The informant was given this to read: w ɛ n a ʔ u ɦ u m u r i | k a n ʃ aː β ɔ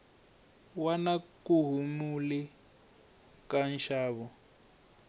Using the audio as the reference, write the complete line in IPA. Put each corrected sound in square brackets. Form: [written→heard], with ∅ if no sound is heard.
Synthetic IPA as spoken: w [ɛ→a] n a [ʔ→k] u ɦ u m u [r→l] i | k a n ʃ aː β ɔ